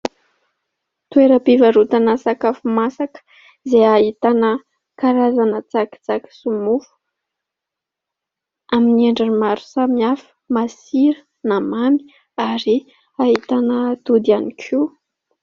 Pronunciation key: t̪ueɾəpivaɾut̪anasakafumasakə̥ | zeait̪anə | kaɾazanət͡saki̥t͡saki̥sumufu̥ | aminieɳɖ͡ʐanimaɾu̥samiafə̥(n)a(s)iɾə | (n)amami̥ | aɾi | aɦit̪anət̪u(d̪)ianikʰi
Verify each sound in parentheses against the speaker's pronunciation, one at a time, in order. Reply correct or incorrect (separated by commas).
incorrect, correct, correct, correct